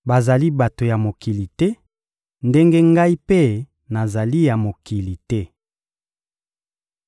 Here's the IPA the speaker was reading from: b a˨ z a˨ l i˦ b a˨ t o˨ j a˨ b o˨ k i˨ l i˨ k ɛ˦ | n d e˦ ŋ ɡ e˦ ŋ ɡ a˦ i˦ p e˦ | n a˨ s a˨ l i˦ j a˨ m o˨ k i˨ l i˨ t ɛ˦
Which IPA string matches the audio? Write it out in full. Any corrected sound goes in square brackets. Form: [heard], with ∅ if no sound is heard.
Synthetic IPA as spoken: b a˨ z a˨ l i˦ b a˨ t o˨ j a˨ [m] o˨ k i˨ l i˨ [t] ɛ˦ | n d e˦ ŋ ɡ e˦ ŋ ɡ a˦ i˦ p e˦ | n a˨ [z] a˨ l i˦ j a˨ m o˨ k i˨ l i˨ t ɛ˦